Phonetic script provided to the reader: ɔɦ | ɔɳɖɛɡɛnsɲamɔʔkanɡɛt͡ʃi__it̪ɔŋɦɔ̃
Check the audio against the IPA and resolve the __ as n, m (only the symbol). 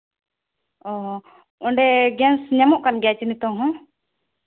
n